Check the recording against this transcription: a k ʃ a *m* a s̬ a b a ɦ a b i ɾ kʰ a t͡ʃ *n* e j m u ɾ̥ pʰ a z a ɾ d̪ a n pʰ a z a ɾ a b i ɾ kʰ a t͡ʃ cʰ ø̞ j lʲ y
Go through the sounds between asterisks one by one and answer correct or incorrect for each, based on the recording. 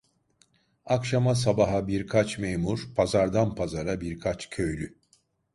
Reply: correct, incorrect

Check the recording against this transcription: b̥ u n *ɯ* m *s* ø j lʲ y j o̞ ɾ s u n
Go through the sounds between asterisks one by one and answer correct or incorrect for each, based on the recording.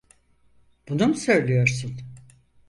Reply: incorrect, correct

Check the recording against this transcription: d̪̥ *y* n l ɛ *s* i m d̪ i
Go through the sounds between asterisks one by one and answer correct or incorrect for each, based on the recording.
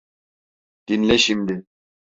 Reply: incorrect, incorrect

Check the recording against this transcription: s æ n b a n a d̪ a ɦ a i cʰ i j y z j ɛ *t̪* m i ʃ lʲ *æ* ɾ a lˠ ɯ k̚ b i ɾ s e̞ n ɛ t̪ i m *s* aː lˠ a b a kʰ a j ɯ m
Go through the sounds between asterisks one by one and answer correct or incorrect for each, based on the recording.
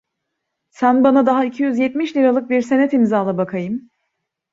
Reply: correct, incorrect, incorrect

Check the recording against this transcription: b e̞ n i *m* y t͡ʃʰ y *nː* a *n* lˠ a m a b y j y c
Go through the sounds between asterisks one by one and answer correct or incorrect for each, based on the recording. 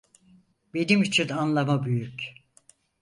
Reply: correct, incorrect, correct

